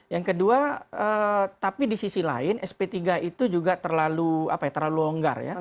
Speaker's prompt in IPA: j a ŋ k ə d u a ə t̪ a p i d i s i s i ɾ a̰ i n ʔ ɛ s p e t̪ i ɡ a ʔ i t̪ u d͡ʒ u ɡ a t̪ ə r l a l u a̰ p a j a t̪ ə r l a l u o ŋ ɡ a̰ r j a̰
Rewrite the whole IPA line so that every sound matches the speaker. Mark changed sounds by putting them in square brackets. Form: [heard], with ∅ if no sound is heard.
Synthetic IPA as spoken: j a ŋ k ə d u a ə t̪ a p i d i s i s i [l] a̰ [ɪ] n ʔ ɛ s p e t̪ i ɡ a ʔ i t̪ u d͡ʒ u ɡ a t̪ ə r l a l u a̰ p a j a t̪ ə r l a l u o ŋ ɡ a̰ r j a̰

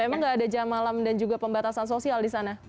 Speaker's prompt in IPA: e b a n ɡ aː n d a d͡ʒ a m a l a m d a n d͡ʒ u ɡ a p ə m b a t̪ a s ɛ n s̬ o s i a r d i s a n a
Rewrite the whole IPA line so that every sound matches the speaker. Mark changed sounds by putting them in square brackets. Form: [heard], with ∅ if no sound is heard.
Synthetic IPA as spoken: e [m] a [ŋ] ɡ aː [∅] d a d͡ʒ a m a l a m d a n d͡ʒ u ɡ a p ə m b a t̪ a s [a] n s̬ o s i a [l] d i s a n a

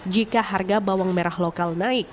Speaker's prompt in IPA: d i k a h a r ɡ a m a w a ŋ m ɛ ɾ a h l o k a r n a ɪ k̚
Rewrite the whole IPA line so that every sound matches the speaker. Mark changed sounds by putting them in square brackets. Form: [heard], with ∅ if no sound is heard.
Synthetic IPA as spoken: [d͡ʒ] i k a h a r ɡ a [b] a w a ŋ m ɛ ɾ a h l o k a [l] n a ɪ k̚

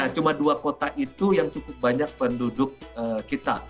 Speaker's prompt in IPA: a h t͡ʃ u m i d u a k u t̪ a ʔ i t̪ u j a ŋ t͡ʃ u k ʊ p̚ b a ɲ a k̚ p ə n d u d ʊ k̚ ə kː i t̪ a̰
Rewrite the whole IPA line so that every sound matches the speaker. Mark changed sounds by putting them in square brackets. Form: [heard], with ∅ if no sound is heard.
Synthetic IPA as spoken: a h t͡ʃ u m [a] d u a k [o] t̪ a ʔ i t̪ u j a ŋ t͡ʃ u k ʊ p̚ b a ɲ a k̚ p ə n d u d ʊ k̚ ə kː i t̪ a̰

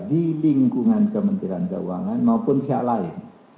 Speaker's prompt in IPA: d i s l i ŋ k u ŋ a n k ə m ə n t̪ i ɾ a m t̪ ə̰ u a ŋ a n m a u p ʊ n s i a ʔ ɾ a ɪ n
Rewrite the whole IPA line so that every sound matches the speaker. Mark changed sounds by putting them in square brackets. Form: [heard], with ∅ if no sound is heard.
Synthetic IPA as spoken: d i [∅] l i ŋ k u ŋ a n k ə m ə n t̪ i ɾ a [n] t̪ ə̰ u a ŋ a n m a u p ʊ n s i a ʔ [l] a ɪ n

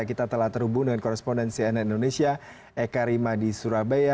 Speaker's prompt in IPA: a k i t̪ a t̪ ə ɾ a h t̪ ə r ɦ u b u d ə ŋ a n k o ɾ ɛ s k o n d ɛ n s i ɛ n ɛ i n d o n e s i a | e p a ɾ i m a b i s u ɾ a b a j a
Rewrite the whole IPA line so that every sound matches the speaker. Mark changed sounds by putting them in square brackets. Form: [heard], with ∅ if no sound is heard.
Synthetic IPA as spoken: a k i t̪ a t̪ ə [l] a h t̪ ə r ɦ u b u d ə ŋ a n k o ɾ ɛ s [p] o n d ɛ n s i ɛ n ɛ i n d o n e s i a | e [k] a ɾ i m a [d] i s u ɾ a b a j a

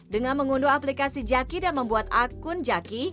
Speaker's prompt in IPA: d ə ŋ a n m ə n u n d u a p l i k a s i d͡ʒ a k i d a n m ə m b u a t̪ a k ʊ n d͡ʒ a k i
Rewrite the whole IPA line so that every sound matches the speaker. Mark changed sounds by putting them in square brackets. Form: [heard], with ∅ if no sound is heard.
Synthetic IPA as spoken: d ə ŋ a n m ə [ŋ] u n d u a p l i k a s i d͡ʒ a k i d a n m ə m b u a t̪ a k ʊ n d͡ʒ a k i

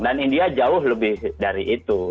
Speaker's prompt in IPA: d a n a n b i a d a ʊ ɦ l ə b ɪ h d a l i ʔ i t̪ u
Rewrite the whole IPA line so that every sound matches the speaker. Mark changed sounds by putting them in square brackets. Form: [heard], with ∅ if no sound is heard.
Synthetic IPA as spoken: d a n [i] n [d] i a [d͡ʒ] a ʊ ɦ l ə b ɪ h d a [ɾ] i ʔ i t̪ u

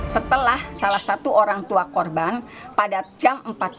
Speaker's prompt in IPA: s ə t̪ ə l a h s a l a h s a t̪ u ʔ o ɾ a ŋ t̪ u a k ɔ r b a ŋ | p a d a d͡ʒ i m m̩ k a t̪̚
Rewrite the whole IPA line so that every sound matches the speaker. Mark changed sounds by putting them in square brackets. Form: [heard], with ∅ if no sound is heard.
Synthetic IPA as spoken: s ə t̪ ə l a h s a l a h s a t̪ u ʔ o ɾ a ŋ t̪ u a k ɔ r b a [n] | p a d a d͡ʒ [a] m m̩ [p] a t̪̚

